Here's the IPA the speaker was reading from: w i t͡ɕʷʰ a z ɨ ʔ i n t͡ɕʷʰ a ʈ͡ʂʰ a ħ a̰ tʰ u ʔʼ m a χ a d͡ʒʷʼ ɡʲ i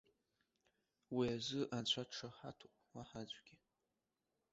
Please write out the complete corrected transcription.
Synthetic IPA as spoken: w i a z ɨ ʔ a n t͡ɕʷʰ a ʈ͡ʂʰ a ħ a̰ tʰ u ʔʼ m a ħ a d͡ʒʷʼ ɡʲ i